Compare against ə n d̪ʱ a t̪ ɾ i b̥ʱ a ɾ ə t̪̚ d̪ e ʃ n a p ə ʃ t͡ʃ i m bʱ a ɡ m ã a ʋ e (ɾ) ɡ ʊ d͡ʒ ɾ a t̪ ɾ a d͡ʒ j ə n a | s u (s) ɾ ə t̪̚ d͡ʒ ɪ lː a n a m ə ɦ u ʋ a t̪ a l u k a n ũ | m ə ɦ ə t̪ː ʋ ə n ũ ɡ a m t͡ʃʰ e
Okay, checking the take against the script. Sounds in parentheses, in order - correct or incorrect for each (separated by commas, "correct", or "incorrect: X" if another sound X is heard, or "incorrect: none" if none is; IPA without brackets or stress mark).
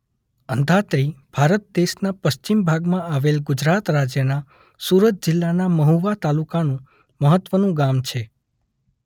incorrect: l, incorrect: none